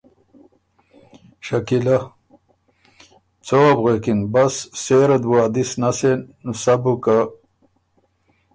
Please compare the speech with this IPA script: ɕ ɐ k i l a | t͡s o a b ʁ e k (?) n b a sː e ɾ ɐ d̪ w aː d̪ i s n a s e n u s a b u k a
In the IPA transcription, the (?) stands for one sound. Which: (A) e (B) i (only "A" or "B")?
B